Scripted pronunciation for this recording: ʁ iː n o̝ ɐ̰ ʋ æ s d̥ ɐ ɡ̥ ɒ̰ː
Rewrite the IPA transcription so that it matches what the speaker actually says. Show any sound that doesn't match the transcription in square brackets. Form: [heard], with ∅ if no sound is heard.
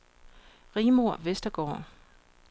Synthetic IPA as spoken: ʁ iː [m] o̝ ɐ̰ ʋ [e] s d̥ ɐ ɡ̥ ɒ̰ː